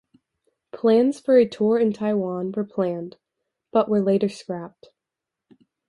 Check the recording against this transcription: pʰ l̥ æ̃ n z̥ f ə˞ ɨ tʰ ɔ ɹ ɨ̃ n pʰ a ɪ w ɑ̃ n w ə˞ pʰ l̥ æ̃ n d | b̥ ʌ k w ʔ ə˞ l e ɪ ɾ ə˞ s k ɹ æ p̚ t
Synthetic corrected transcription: pʰ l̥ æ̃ n z̥ f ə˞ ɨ tʰ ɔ ɹ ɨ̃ n tʰ a ɪ w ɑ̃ n w ə˞ pʰ l̥ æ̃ n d | b̥ ʌ ʔ w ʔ ə˞ l e ɪ ɾ ə˞ s k ɹ æ p̚ t